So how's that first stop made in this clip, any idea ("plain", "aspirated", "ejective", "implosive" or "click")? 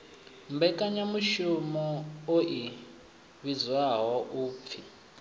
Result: plain